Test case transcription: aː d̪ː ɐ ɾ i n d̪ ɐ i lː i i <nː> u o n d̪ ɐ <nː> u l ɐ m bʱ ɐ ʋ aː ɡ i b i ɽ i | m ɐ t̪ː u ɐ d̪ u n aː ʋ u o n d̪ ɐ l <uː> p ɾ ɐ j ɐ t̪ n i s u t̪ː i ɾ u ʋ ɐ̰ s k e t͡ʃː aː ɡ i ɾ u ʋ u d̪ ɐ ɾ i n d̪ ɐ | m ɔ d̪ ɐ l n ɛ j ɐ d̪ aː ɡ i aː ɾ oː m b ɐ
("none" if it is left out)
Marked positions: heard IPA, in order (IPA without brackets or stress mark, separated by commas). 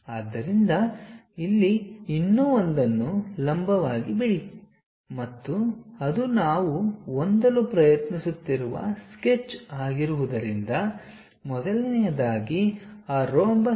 nː, nː, u